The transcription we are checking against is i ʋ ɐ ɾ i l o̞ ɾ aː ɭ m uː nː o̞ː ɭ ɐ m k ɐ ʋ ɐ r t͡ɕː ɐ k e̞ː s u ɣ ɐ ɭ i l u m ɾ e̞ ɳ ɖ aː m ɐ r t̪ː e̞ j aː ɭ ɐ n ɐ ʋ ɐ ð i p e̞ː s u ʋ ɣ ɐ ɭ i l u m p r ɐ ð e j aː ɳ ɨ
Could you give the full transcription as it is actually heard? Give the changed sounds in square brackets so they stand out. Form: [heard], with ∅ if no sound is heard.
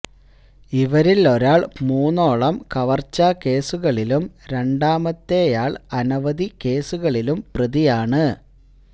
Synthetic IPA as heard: i ʋ ɐ ɾ i l o̞ ɾ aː ɭ m uː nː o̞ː ɭ ɐ m k ɐ ʋ ɐ r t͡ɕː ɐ k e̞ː s u ɣ ɐ ɭ i l u m ɾ e̞ ɳ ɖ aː m ɐ [∅] t̪ː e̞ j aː ɭ ɐ n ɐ ʋ ɐ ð i [k] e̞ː s u [∅] ɣ ɐ ɭ i l u m p r ɐ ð [i] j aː ɳ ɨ